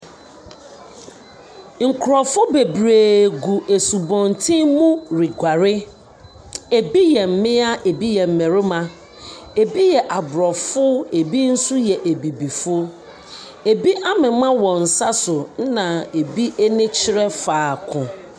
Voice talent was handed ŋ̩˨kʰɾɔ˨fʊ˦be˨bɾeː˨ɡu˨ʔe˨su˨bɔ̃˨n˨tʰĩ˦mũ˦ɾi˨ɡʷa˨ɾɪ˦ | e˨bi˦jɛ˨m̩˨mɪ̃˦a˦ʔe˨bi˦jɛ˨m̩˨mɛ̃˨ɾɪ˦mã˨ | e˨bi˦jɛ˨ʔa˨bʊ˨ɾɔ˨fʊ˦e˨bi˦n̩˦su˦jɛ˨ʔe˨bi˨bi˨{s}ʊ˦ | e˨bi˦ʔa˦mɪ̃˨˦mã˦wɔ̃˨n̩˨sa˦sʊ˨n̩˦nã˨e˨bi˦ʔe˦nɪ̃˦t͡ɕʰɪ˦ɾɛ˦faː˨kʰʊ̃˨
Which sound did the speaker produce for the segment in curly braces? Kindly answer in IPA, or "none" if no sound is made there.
f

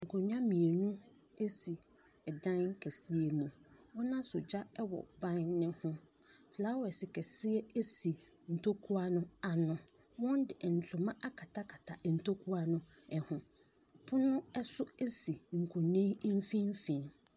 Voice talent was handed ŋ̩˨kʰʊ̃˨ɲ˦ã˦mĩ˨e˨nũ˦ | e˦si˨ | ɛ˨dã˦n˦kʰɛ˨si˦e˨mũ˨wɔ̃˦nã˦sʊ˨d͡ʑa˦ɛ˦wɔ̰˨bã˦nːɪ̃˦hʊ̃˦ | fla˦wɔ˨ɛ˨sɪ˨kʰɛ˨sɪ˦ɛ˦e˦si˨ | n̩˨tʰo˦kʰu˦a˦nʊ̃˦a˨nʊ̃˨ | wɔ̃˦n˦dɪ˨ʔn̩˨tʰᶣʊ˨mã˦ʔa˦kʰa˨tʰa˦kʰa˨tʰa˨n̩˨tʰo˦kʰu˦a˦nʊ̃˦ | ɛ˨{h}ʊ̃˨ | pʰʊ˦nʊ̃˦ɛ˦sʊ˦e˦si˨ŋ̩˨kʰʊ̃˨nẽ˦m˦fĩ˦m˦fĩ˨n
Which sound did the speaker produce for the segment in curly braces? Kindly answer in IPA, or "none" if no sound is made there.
h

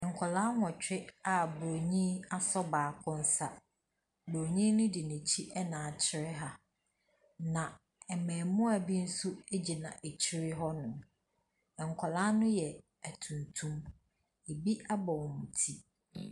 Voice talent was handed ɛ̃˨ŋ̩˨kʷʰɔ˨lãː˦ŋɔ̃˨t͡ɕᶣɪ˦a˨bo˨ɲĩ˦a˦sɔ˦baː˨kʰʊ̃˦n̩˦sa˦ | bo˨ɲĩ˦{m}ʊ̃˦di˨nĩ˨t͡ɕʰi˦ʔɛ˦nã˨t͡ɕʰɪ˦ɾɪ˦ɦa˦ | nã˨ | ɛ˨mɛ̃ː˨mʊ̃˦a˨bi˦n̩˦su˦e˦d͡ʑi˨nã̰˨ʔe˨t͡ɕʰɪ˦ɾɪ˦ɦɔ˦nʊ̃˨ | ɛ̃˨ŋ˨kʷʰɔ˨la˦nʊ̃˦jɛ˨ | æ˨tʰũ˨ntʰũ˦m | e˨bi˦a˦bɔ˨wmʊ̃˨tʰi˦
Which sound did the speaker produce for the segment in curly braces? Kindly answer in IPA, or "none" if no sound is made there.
n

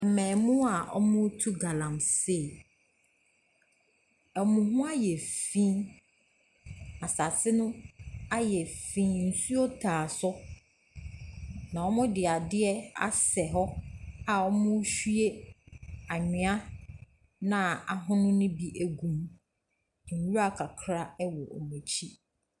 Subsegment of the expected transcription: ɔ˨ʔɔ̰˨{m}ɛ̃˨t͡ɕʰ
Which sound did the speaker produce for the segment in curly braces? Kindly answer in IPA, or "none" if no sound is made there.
m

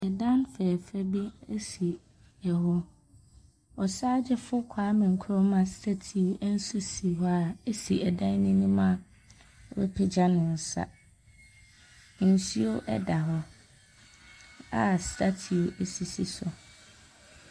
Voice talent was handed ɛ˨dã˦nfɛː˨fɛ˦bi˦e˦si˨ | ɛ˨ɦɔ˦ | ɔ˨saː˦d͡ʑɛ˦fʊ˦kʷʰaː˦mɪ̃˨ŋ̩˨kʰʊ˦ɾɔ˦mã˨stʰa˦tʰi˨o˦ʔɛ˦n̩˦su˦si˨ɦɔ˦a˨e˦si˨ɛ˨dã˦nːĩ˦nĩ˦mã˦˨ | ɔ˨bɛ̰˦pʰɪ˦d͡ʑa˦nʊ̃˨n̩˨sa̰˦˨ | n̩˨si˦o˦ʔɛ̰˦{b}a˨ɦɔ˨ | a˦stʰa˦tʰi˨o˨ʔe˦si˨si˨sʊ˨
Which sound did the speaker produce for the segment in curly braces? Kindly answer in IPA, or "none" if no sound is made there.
d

